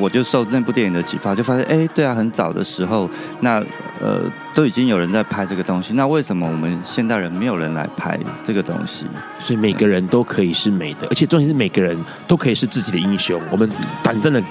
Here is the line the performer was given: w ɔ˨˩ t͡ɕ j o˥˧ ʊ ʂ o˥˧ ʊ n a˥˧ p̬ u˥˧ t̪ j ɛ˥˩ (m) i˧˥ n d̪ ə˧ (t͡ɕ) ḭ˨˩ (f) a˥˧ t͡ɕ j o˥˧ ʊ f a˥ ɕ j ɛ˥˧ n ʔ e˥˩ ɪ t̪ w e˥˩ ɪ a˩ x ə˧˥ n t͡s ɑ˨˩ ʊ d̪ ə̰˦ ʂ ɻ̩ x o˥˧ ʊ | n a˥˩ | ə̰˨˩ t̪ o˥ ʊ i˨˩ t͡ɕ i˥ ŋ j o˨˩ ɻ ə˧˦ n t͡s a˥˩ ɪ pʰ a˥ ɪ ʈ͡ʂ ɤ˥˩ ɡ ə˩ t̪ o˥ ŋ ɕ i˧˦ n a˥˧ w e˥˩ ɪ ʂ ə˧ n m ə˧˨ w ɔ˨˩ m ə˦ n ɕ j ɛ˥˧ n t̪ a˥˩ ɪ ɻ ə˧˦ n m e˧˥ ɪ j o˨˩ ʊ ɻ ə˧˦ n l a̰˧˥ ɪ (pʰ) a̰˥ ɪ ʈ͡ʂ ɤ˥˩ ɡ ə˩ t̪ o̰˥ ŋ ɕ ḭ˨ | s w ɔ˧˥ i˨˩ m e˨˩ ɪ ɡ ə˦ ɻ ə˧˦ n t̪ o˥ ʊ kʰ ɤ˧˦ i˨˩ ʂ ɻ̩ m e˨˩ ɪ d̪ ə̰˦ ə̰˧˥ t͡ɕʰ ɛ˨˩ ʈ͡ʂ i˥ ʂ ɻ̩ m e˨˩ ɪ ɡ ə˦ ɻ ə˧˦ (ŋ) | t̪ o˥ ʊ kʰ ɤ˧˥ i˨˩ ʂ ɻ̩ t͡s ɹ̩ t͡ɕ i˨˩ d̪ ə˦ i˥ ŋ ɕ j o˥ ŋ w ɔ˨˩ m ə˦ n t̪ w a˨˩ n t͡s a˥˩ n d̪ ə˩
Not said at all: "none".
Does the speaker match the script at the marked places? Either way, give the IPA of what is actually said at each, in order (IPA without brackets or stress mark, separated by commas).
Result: n, t͡ɕʰ, f, pʰ, n